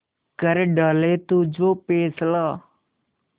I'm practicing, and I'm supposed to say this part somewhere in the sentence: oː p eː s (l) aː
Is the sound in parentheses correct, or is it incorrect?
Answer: correct